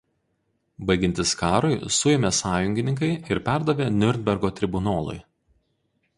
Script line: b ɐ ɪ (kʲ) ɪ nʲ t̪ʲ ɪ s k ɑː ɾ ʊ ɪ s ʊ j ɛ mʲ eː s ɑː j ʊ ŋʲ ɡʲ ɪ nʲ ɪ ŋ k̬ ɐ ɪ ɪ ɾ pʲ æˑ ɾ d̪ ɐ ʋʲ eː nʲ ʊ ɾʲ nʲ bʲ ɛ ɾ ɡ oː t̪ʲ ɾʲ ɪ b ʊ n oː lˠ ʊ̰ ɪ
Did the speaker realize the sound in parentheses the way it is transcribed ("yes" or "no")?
no